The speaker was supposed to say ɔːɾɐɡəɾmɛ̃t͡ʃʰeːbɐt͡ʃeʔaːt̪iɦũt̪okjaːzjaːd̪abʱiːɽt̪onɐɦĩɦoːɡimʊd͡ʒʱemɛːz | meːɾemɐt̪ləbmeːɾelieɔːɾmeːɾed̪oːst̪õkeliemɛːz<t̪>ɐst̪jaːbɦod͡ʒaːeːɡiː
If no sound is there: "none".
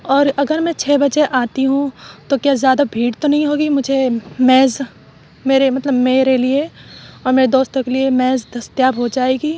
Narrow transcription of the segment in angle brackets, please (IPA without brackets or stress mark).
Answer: d̪